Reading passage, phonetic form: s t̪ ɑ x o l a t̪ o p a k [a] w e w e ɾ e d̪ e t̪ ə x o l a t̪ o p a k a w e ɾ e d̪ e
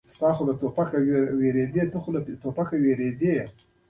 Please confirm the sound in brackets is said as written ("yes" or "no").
yes